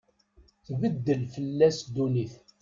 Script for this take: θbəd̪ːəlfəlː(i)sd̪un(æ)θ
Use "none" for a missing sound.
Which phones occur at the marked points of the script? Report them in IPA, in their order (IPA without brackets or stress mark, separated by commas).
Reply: æ, i